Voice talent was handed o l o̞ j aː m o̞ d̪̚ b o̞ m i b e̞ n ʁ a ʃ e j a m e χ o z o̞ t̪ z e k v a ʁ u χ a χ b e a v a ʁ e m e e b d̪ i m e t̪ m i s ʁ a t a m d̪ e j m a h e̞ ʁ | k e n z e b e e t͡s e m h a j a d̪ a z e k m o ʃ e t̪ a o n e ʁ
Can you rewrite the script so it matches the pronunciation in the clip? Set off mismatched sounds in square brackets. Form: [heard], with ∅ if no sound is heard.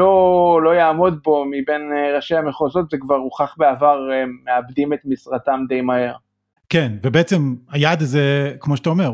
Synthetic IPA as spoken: o l o̞ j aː m o̞ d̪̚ b o̞ m i b e̞ n ʁ a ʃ e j a m e χ o z o̞ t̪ z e k v a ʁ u χ a χ b e a v a ʁ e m e [a] b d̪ i m e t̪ m i s ʁ a t a m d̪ e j m a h e̞ ʁ | k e n [v] e b e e t͡s e m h a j a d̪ a z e k m o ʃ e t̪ a o [m] e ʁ